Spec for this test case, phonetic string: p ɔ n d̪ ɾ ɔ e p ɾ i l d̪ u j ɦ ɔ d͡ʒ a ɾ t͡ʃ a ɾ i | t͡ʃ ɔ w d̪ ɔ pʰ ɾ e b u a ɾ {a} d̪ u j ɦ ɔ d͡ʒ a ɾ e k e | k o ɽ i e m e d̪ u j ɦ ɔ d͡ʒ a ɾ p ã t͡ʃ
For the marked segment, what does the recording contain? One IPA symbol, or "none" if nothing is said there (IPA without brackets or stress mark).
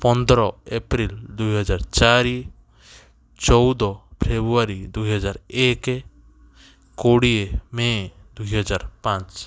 i